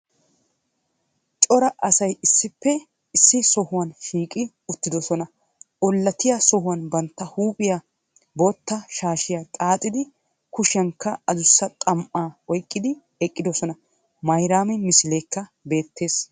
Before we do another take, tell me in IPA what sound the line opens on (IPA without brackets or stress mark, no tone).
t͡ʃʼ